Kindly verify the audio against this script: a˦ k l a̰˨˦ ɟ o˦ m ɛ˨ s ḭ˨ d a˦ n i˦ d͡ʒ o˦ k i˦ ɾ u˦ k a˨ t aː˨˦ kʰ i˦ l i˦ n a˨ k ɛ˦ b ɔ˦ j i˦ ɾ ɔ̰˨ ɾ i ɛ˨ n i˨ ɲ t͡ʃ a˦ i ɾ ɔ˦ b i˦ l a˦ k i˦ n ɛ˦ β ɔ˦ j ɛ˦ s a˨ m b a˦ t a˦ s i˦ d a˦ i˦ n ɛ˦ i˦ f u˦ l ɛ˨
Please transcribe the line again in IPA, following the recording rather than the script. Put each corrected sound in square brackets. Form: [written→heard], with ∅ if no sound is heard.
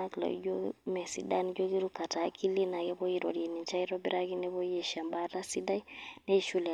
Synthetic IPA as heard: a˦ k l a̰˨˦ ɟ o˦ m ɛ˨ s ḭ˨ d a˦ n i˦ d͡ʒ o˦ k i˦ ɾ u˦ k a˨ t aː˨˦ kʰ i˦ l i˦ n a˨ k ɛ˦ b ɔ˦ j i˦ ɾ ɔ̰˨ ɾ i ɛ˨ n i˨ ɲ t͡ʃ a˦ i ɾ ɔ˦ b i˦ [l→ɾ] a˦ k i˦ n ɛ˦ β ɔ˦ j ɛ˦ [s→ʃ] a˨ m b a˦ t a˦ s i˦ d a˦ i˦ n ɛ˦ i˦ [f→ʃ] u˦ l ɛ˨